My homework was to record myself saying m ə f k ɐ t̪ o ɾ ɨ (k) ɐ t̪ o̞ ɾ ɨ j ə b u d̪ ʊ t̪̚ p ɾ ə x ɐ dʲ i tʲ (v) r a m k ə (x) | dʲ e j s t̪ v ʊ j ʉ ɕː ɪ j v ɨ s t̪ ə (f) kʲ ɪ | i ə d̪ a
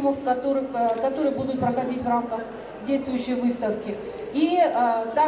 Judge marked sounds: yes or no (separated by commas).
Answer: yes, yes, yes, yes